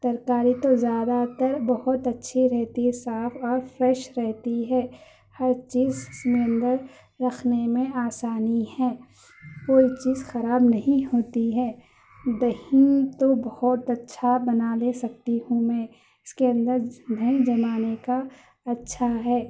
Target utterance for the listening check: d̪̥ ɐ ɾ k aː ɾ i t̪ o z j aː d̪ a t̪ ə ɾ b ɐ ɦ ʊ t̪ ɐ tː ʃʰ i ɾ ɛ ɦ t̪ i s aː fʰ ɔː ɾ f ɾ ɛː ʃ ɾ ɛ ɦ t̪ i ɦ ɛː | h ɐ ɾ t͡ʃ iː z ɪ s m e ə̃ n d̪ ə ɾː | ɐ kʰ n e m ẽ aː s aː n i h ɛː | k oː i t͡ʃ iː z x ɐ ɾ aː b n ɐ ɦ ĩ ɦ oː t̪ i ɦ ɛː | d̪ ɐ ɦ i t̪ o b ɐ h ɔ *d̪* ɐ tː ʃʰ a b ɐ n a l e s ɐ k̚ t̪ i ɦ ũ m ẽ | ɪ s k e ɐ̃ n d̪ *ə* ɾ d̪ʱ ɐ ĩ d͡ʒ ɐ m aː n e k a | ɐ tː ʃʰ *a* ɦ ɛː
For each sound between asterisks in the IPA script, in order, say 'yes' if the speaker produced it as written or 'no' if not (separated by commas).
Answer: no, yes, yes